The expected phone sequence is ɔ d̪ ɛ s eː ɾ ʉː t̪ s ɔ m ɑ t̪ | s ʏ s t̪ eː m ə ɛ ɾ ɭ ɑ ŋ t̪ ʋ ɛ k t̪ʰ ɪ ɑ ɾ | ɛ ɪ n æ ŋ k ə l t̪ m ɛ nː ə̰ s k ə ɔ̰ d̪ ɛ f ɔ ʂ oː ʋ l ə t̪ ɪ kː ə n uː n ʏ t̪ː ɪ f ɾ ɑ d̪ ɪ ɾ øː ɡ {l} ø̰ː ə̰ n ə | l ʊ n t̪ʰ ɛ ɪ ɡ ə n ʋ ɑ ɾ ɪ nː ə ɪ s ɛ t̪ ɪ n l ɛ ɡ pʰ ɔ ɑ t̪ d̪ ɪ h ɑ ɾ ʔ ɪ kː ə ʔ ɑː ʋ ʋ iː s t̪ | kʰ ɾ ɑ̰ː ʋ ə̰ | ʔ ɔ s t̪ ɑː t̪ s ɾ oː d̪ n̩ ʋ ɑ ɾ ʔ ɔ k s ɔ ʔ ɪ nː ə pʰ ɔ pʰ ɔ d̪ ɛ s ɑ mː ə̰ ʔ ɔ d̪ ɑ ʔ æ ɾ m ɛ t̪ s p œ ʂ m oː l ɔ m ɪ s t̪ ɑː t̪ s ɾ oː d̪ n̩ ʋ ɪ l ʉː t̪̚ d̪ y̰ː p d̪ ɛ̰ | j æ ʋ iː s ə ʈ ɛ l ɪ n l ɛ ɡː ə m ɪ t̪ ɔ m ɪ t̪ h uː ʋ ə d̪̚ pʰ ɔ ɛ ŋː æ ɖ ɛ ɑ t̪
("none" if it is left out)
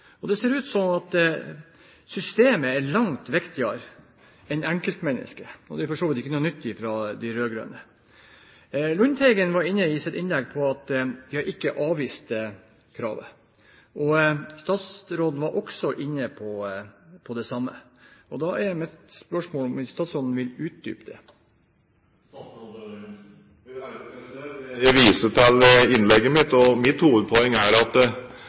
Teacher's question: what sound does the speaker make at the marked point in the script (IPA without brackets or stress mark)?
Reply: ɾ